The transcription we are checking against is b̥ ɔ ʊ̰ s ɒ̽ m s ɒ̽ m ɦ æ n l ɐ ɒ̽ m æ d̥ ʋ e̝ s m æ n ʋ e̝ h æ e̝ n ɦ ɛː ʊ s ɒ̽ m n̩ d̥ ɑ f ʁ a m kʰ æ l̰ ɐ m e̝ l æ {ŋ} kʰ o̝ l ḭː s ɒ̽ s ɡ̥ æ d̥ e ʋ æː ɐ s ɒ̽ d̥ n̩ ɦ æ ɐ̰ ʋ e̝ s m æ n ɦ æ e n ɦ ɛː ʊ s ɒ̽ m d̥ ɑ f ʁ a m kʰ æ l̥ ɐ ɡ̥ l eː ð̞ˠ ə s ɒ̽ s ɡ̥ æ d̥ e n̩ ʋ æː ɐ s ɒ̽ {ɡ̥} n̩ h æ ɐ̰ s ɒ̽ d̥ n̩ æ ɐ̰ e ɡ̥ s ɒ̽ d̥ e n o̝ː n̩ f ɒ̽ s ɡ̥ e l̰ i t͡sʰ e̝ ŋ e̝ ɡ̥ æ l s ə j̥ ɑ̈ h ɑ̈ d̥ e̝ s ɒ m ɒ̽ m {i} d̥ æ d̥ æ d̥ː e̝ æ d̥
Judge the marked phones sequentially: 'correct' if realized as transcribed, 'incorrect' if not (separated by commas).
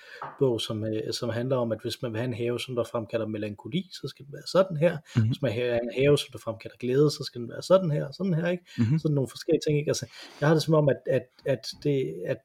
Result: correct, incorrect, incorrect